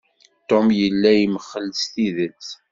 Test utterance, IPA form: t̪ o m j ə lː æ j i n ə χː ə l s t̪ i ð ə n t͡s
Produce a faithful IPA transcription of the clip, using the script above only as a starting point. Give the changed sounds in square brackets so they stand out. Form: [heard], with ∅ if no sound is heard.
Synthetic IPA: t̪ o m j ə lː æ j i [m] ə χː ə l s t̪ i ð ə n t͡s